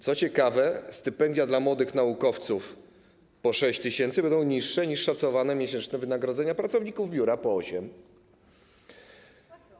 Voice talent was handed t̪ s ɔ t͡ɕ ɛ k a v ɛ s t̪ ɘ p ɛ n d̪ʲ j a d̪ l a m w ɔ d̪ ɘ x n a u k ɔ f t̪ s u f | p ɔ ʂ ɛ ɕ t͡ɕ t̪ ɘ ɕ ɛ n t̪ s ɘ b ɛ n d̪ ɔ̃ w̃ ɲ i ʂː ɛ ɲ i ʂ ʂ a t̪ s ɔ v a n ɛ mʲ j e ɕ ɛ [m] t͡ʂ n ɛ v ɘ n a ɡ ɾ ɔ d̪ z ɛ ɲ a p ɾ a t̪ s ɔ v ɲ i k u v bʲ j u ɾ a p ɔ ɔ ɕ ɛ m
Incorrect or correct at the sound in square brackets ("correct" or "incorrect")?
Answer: incorrect